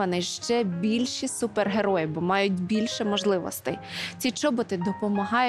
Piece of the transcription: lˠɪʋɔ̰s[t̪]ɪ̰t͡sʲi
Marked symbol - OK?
yes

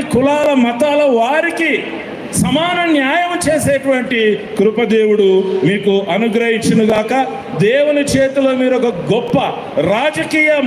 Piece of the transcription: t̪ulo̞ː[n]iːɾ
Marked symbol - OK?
no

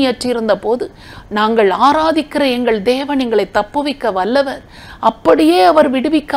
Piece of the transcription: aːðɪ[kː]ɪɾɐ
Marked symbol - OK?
yes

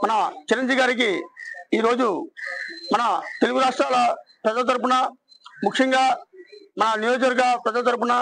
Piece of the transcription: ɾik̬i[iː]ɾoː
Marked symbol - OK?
yes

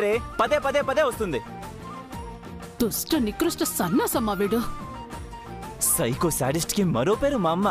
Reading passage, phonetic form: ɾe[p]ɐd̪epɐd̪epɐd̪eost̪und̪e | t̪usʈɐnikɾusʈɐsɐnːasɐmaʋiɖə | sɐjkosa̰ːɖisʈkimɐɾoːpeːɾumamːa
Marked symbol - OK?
yes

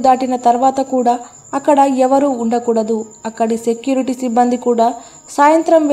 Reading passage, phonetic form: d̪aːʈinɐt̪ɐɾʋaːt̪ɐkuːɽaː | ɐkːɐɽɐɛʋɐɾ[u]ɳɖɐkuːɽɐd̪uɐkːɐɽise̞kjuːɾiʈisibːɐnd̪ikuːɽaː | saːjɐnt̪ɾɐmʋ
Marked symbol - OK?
no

